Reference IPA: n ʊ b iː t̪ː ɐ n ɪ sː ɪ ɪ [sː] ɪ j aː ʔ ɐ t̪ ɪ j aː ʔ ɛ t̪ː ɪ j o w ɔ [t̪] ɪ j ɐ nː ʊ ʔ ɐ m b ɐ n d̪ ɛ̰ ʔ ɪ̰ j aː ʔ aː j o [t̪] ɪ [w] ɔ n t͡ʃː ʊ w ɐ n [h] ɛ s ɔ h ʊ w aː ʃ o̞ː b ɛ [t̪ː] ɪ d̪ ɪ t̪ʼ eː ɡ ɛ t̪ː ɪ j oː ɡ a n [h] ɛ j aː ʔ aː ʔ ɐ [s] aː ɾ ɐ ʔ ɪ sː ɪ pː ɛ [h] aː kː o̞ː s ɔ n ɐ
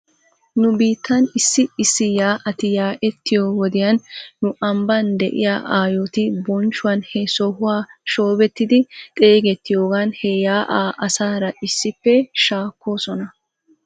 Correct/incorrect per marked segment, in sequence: correct, incorrect: d̪, correct, incorrect: b, correct, correct, correct, correct, incorrect: ʃ

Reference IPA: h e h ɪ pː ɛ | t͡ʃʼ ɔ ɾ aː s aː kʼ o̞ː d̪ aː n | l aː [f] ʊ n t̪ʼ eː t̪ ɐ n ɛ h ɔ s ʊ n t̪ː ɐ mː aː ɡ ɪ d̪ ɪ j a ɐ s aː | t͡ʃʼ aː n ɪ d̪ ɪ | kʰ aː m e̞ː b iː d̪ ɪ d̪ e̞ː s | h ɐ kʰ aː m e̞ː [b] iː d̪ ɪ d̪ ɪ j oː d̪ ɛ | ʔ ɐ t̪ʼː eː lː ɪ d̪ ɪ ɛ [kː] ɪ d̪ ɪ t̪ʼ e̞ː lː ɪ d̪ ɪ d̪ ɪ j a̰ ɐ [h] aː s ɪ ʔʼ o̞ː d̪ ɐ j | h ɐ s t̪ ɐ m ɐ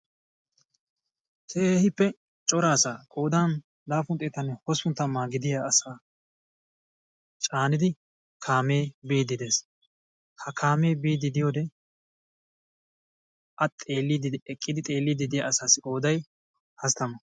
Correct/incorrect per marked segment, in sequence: correct, correct, incorrect: kʼː, incorrect: s

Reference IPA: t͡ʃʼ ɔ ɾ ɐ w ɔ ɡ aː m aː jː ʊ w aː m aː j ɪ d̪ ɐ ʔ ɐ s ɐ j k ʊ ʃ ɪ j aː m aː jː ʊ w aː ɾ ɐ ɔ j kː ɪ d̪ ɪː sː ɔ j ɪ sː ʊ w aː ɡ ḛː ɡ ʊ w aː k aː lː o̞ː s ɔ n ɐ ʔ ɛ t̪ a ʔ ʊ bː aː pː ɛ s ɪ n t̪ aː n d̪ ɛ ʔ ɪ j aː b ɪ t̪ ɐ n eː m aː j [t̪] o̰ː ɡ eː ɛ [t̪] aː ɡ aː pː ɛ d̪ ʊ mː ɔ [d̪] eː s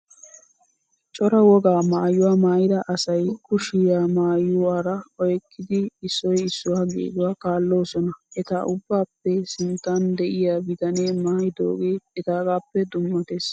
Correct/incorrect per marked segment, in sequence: incorrect: d̪, correct, incorrect: t̪

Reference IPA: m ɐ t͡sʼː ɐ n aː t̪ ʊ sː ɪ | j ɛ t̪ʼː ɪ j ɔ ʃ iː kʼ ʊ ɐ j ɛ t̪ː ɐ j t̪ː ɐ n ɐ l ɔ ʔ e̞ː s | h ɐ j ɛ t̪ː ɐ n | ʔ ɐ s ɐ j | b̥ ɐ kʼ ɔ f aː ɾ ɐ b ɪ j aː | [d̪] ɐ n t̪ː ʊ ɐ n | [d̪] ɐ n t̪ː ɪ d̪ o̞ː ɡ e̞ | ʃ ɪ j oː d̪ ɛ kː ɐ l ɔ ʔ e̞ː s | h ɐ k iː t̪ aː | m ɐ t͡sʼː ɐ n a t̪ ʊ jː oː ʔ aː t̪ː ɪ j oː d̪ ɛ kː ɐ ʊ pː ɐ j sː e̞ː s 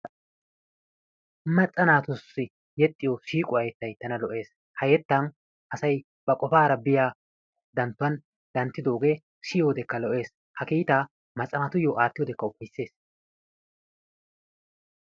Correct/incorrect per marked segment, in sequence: correct, correct

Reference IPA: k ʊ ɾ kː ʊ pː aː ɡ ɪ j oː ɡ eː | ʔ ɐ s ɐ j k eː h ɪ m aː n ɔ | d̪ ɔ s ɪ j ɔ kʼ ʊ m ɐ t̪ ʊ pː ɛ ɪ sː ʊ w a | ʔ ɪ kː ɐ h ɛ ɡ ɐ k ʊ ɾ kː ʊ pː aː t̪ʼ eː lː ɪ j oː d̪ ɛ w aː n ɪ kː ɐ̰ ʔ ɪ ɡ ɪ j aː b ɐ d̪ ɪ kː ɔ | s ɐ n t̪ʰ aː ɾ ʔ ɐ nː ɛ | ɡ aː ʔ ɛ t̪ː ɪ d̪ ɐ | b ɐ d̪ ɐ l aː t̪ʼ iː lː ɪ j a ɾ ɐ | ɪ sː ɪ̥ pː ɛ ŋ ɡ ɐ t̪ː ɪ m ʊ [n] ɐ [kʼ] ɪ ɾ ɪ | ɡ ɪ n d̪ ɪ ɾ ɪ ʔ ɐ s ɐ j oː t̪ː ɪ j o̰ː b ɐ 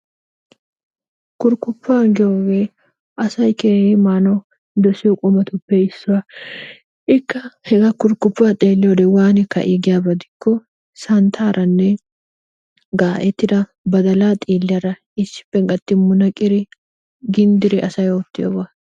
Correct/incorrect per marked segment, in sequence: correct, correct

